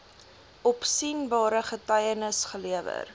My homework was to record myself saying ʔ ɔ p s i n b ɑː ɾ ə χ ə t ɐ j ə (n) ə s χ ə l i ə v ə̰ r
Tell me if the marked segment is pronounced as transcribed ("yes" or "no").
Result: yes